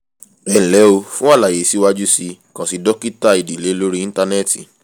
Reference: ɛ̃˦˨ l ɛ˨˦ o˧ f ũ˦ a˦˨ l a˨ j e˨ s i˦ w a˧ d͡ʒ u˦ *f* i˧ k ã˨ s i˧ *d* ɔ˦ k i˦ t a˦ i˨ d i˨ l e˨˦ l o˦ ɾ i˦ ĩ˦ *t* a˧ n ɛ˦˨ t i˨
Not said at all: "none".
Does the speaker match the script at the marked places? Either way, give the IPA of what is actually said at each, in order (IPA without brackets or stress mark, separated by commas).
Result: s, d, t